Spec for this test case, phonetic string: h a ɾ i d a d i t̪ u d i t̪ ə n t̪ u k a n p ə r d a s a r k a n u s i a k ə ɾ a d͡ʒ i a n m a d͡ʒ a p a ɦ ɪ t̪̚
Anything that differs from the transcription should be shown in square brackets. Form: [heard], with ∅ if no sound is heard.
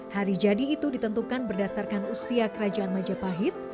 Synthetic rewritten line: h a ɾ i [d͡ʒ] a d [iː] t̪ u d i t̪ ə n t̪ u k a n [b] ə r d a s a r k a n u s i a k ə ɾ a d͡ʒ [a] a n m a d͡ʒ a p a ɦ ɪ t̪̚